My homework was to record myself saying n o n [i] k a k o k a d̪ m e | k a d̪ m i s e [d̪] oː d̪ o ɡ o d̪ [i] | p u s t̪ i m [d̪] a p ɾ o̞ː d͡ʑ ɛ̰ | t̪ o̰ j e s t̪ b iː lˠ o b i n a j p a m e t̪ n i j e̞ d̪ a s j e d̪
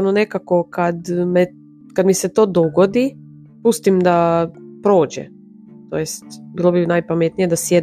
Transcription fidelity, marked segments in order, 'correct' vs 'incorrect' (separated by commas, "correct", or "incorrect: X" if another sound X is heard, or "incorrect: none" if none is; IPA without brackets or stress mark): incorrect: e, incorrect: t̪, correct, correct